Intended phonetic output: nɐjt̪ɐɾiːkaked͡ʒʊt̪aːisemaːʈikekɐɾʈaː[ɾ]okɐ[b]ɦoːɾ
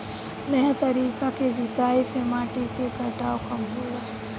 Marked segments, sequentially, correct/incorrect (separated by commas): incorrect, incorrect